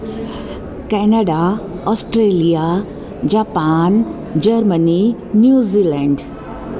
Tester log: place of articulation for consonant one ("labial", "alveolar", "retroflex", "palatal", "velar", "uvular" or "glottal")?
velar